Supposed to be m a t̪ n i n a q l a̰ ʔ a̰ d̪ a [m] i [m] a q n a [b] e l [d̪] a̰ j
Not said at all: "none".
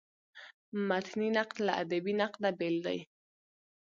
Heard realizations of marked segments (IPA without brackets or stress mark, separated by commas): b, n, b, d̪